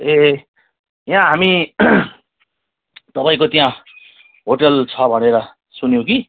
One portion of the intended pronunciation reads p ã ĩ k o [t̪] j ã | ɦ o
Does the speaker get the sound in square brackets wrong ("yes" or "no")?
no